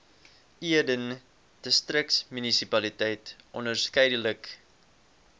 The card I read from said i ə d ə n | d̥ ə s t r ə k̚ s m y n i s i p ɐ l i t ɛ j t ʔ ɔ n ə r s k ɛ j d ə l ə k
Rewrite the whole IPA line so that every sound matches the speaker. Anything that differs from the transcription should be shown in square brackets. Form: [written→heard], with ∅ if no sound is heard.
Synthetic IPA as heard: i ə d ə n | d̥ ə s t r ə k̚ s m y n i s i p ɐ l i t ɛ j t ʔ ɔ n ə r s k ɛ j d ə l ə k